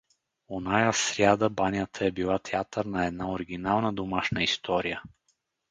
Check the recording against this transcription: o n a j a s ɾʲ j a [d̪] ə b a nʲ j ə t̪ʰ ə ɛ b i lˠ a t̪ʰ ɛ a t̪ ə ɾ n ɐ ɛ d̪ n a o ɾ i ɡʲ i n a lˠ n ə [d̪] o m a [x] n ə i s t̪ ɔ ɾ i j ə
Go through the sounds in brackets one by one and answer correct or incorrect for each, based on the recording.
correct, correct, incorrect: ʃ

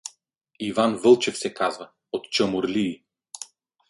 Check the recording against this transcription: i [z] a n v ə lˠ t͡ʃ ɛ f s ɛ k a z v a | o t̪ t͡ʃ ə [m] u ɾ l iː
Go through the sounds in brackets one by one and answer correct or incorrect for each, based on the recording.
incorrect: v, correct

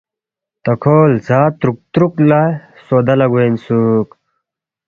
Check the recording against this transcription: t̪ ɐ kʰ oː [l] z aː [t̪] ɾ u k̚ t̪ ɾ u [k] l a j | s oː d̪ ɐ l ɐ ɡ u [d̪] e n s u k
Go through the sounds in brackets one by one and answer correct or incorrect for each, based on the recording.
correct, correct, correct, incorrect: none

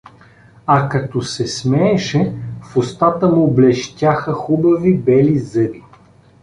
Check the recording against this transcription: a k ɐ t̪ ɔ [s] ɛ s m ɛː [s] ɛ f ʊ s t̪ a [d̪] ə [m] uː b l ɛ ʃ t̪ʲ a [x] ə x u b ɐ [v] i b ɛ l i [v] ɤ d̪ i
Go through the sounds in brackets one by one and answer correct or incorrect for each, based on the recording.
correct, incorrect: ʃ, incorrect: t̪, correct, correct, correct, incorrect: z

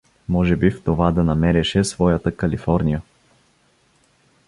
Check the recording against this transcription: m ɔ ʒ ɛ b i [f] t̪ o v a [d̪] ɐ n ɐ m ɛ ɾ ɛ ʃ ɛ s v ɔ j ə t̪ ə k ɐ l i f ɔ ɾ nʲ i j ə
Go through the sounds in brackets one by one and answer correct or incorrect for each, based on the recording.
correct, correct

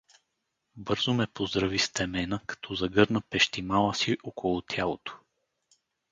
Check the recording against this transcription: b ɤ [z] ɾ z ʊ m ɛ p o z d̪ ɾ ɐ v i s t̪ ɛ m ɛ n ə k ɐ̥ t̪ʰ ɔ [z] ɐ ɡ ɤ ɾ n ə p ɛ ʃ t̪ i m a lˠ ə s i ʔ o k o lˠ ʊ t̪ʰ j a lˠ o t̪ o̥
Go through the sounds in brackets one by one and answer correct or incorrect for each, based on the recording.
incorrect: none, correct

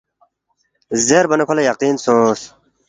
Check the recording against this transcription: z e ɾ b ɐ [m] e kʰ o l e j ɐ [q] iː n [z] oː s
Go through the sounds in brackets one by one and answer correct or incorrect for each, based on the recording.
incorrect: n, correct, incorrect: s

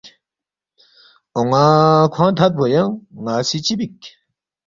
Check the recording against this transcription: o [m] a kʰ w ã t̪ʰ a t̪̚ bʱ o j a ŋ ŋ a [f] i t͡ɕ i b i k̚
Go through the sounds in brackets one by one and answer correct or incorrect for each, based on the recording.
incorrect: ŋ, incorrect: s

